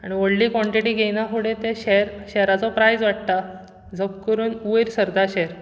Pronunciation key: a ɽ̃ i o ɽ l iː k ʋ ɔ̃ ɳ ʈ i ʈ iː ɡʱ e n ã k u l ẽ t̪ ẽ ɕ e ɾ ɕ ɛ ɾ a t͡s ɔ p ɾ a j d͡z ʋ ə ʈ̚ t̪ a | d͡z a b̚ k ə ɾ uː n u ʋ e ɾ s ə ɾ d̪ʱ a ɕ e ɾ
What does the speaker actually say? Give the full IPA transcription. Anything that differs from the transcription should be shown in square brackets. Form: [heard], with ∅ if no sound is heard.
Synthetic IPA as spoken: a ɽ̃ i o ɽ l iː k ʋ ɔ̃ ɳ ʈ i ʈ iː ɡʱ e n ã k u [ɽ] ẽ t̪ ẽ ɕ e ɾ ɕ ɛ ɾ a t͡s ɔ p ɾ a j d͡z ʋ [a] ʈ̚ t̪ a | d͡z [ə] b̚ k ə ɾ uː n u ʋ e ɾ s ə ɾ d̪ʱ a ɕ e ɾ